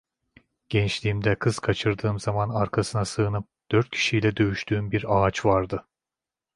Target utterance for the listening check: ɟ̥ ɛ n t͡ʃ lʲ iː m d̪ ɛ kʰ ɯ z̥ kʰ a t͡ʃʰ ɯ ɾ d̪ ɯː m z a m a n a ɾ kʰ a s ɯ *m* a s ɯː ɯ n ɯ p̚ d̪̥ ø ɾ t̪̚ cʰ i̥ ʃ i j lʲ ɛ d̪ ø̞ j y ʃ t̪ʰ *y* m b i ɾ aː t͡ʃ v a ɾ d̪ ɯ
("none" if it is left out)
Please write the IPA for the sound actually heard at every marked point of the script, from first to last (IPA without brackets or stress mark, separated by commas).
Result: n, yː